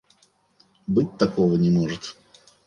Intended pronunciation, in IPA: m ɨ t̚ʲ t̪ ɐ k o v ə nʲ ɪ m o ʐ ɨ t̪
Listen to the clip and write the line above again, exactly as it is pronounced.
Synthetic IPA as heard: b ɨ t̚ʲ t̪ ɐ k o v ə nʲ ɪ m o ʐ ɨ t̪

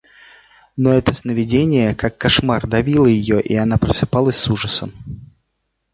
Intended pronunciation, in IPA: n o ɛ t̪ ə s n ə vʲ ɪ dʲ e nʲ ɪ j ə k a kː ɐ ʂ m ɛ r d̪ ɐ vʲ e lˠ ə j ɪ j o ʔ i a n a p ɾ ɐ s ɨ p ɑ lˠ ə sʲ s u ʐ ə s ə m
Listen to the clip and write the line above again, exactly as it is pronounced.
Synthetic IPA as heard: n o ɛ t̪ ə s n ə vʲ ɪ dʲ e nʲ ɪ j ə k a kː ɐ ʂ m a r d̪ ɐ vʲ i lˠ ə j ɪ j o ʔ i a n a p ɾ ə s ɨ p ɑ lˠ ə sʲ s u ʐ ə s ə m

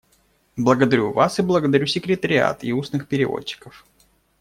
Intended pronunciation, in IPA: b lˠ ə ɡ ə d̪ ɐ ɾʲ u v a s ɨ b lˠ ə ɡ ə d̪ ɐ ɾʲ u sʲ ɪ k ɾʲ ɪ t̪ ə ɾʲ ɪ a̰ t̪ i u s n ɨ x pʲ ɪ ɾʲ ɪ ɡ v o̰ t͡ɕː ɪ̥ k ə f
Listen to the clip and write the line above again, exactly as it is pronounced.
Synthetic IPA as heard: b lˠ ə ɡ ə d̪ ɐ ɾʲ u v a s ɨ b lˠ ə ɡ ə d̪ ɐ ɾʲ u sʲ ɪ k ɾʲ ɪ t̪ ə ɾʲ ɪ a̰ t̪ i u s n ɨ x pʲ ɪ ɾʲ ɪ v o̰ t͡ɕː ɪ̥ k ə f

